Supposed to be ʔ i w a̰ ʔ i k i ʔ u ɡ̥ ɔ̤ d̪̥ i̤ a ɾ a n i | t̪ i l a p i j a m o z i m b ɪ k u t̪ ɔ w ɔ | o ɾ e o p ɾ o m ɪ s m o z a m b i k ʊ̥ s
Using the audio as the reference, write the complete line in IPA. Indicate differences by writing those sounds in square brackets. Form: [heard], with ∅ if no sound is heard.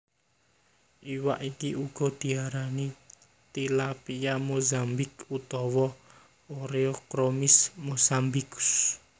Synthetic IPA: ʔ i w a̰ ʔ i k i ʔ u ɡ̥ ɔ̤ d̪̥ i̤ a ɾ a n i | t̪ i l a p i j a m o z [a] m b ɪ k u t̪ ɔ w ɔ | o ɾ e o [k] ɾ o m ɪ s m o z a m b i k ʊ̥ s